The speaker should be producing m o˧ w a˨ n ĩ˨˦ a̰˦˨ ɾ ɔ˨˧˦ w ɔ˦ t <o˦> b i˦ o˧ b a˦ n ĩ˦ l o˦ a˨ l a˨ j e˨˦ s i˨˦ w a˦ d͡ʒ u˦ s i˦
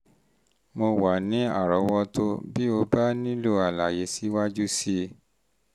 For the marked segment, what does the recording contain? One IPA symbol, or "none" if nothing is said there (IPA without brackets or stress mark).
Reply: o˦